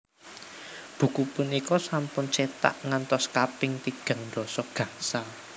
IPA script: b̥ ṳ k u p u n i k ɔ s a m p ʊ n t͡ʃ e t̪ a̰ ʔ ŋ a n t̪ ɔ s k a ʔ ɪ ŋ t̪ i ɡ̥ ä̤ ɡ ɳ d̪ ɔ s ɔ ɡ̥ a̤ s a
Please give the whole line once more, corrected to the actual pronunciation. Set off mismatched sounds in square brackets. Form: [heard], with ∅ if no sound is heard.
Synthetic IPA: b̥ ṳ k u p u n i k ɔ s a m p ʊ n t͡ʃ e t̪ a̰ ʔ ŋ a n t̪ ɔ s k a [p] ɪ ŋ t̪ i ɡ̥ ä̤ [ŋ] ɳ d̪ ɔ s ɔ ɡ̥ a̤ s a